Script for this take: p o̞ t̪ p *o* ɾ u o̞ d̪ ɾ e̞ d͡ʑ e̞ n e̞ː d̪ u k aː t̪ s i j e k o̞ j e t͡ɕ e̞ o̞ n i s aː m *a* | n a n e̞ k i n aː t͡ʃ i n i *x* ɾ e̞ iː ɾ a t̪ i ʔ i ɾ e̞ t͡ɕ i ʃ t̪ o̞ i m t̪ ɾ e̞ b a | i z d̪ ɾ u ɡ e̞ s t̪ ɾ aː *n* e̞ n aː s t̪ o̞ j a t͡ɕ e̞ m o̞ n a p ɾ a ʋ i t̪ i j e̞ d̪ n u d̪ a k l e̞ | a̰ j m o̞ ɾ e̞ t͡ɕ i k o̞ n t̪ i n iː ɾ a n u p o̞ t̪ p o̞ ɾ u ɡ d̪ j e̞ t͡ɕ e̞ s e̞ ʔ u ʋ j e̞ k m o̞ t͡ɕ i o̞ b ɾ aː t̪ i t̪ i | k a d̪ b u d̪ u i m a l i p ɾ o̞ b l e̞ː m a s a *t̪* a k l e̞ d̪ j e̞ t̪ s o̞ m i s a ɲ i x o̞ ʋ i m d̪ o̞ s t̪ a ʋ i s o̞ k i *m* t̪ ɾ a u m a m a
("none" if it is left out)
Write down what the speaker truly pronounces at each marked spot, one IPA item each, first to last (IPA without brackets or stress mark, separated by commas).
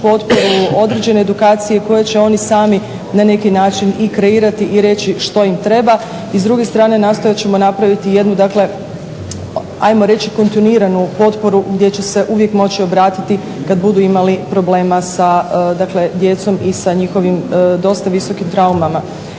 o, i, k, n, d̪, m